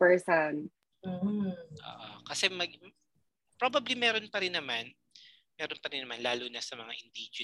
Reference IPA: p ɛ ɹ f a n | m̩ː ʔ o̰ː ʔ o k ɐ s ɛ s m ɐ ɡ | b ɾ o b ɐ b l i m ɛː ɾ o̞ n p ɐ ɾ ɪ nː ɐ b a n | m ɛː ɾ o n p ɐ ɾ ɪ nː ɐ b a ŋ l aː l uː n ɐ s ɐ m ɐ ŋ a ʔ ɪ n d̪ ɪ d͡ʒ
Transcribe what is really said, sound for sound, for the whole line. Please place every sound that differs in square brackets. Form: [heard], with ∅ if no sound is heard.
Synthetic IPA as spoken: p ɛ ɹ [s] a n | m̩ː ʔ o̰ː ʔ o k ɐ s ɛ [∅] m ɐ ɡ | [p] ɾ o b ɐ b l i m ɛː ɾ o̞ n p ɐ ɾ ɪ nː ɐ [m] a n | m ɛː ɾ o n p ɐ ɾ ɪ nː ɐ [m] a [n] l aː l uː n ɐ s ɐ m ɐ ŋ a ʔ ɪ n d̪ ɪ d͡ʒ